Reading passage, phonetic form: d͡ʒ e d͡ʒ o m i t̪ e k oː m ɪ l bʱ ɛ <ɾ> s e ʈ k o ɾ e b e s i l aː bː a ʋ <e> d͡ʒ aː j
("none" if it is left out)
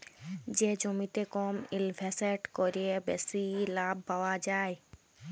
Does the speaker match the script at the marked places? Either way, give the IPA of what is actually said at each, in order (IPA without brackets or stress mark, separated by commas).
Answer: none, a